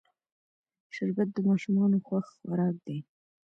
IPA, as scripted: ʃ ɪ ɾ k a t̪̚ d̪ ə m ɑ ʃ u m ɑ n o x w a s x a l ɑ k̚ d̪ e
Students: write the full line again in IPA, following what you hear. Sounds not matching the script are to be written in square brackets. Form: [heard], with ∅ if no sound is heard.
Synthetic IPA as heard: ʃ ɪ ɾ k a t̪̚ d̪ ə m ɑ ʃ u m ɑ n o x w a [x] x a [ɾ] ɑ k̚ d̪ e